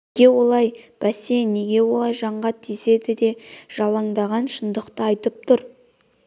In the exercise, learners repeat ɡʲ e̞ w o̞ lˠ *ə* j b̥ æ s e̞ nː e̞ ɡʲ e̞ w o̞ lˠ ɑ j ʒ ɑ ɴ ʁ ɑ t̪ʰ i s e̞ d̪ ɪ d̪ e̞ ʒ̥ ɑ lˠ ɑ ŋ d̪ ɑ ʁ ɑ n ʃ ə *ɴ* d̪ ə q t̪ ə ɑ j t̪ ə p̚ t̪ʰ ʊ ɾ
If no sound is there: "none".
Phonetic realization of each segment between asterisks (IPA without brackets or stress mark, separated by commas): ɑ, n